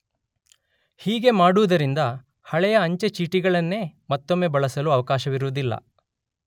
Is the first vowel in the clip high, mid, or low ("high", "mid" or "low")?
high